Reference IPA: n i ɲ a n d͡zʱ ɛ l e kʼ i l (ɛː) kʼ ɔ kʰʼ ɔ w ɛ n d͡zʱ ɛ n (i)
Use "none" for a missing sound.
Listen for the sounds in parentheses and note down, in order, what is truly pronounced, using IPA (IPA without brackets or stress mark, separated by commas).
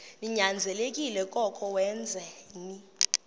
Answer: ɛ, i